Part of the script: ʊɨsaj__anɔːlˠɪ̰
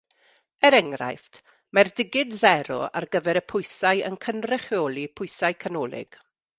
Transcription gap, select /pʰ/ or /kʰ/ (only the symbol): kʰ